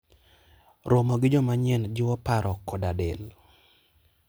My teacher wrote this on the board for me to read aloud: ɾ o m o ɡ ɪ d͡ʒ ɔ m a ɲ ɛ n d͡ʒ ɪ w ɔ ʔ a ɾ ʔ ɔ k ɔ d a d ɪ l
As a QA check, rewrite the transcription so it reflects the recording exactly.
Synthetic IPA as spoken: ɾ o m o ɡ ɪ d͡ʒ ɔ m a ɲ ɛ n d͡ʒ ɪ w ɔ p a ɾ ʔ ɔ k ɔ d a d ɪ l

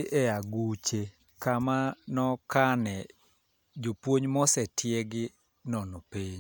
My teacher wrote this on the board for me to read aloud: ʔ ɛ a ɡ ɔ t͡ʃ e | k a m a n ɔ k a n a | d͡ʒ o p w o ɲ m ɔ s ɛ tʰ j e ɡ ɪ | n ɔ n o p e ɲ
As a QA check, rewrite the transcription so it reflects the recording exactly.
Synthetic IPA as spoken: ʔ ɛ a ɡ u t͡ʃ e | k a m a n ɔ k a n ɛ | d͡ʒ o p w o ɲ m ɔ s ɛ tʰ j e ɡ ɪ | n ɔ n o p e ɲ

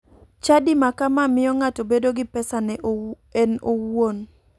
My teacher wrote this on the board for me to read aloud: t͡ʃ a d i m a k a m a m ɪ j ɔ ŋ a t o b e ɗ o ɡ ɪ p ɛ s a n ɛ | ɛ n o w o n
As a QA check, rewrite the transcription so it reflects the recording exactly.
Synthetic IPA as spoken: t͡ʃ a d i m a k a m a m ɪ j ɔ ŋ a t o b e d o ɡ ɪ p ɛ s a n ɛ | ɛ n o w o n

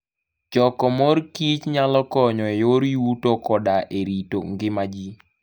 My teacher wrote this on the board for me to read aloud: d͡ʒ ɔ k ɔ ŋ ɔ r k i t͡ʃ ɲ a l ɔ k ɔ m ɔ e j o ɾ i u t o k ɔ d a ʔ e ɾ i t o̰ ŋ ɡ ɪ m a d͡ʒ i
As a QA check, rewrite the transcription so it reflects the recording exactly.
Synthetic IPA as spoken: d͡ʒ ɔ k ɔ m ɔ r k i t͡ʃ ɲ a l ɔ k ɔ ɲ ɔ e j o ɾ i u t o k ɔ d a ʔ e ɾ i t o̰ ŋ ɡ ɪ m a d͡ʒ i

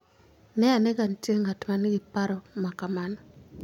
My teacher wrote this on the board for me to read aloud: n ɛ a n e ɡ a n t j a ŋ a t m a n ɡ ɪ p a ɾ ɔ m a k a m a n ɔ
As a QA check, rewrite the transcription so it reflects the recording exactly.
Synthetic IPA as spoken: n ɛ a n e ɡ a n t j e ŋ a t m a n ɡ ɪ p a ɾ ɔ m a k a m a n ɔ

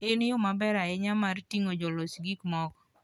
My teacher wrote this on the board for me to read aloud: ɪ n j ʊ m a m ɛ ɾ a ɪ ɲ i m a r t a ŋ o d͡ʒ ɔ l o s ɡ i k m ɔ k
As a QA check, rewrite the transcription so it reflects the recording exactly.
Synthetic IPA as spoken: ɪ n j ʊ m a b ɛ ɾ a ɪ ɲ a m a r t i ŋ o d͡ʒ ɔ l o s ɡ i k m ɔ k

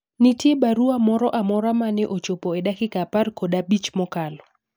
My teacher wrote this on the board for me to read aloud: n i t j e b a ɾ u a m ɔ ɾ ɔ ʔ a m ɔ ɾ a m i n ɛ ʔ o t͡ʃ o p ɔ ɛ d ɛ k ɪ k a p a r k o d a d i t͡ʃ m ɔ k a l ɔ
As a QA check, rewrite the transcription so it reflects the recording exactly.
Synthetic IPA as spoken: n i t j e b a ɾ u a m ɔ ɾ ɔ ʔ a m ɔ ɾ a m a n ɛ ʔ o t͡ʃ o p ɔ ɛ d a k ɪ k a p a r k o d a b i t͡ʃ m ɔ k a l ɔ

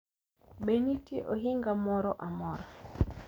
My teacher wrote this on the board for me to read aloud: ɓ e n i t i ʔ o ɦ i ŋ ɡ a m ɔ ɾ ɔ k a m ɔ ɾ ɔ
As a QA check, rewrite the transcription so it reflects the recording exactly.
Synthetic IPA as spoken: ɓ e n i t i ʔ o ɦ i ŋ ɡ a m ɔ ɾ ɔ ʔ a m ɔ ɾ ɔ

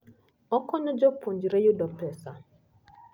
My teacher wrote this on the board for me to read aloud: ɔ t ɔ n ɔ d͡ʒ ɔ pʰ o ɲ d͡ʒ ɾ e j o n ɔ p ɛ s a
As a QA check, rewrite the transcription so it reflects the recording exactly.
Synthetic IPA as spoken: ɔ k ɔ n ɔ d͡ʒ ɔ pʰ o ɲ d͡ʒ ɾ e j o d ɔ p ɛ s a

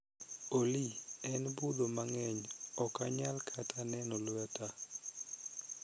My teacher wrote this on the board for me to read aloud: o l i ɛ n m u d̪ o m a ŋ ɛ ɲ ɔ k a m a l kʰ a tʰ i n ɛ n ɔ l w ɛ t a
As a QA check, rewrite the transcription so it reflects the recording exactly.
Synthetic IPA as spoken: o l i ɛ n b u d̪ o m a ŋ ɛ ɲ ɔ k a ɲ a l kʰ a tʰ a n ɛ n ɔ l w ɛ t a

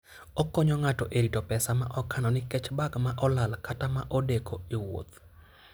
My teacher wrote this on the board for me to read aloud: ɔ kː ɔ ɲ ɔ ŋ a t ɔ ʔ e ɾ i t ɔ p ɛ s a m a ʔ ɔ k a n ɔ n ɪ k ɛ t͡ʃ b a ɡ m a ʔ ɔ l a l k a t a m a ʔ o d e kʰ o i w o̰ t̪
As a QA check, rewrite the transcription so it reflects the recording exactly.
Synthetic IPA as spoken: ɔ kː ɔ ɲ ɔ ŋ a t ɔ ʔ e ɾ i t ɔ p ɛ s a m a ʔ ɔ k a n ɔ n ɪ k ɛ t͡ʃ b a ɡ m a ʔ ɔ l a l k a t a m a ʔ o d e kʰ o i w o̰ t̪

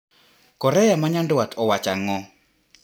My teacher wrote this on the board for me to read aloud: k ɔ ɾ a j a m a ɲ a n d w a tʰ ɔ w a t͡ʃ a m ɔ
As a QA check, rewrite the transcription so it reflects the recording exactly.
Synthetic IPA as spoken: k ɔ ɾ ɛ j a m a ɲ a n d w a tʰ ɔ w a t͡ʃ a ŋ ɔ

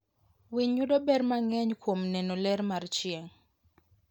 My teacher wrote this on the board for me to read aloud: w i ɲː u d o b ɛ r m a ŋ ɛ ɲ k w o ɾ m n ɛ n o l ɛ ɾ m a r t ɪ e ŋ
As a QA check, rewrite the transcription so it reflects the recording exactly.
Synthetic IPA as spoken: w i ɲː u d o b ɛ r m a ŋ ɛ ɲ k w o m n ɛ n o l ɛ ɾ m a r t͡ʃ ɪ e ŋ

